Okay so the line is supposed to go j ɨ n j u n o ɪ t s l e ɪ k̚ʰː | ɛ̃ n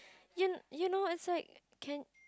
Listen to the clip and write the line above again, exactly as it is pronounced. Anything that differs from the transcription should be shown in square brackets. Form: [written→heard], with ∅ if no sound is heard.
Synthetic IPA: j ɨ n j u n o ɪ t s l [e→a] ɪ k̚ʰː | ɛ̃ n